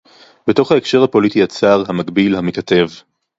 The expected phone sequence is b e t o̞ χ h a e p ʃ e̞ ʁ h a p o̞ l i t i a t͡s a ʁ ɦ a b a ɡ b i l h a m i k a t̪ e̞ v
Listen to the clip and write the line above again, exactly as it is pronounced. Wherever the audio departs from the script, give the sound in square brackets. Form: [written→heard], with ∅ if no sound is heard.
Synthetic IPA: b e t o̞ χ h a e [p→k] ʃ e̞ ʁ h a p o̞ l i t i a t͡s a ʁ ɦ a [b→m] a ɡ b i l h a m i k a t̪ e̞ v